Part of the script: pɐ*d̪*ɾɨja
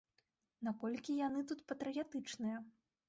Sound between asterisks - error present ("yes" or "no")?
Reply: yes